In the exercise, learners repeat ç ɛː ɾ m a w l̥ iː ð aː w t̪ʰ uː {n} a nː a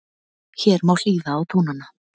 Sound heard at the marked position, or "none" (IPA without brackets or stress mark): n